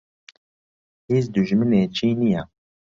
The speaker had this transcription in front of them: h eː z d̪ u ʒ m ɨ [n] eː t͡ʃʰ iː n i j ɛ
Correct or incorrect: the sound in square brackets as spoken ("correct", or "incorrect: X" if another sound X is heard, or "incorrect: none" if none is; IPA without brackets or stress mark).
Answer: correct